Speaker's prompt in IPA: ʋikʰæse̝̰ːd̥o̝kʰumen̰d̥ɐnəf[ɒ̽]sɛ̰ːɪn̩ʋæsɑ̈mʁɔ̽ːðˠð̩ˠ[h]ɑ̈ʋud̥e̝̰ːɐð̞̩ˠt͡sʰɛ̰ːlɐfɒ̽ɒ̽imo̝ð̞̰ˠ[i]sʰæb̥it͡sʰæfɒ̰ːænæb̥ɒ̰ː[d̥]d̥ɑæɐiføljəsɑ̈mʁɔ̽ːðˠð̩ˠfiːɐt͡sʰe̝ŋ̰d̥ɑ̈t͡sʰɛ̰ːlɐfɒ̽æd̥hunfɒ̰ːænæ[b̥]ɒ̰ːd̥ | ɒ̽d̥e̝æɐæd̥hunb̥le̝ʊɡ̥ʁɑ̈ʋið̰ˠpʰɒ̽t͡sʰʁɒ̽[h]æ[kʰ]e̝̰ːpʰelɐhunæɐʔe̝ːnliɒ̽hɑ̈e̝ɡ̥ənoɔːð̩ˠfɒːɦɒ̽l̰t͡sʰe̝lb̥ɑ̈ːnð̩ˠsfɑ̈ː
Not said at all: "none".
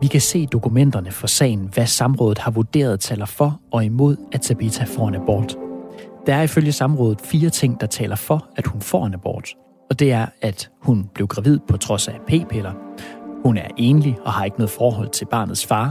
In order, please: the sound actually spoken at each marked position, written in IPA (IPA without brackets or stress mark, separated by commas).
ɒ̽, h, æ, d̥, b̥, s, pʰ